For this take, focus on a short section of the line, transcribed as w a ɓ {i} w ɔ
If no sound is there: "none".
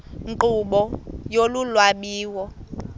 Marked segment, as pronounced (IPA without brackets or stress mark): iː